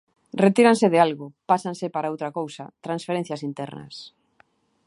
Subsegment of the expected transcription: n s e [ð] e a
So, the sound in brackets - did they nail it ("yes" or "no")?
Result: yes